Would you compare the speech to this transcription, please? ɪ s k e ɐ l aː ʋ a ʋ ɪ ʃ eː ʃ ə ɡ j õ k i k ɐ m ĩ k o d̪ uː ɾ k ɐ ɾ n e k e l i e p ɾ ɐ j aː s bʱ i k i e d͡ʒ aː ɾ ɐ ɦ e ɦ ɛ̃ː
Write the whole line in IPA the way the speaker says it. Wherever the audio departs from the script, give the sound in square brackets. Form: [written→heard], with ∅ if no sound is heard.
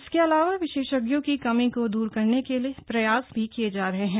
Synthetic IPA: ɪ s k e ɐ l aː ʋ a ʋ ɪ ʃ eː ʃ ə ɡ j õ k i k ɐ m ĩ k o d̪ uː ɾ k ɐ ɾ n e k e l i e p ɾ ɐ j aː s bʱ i k i e d͡ʒ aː ɾ ɐ ɦ e ɦ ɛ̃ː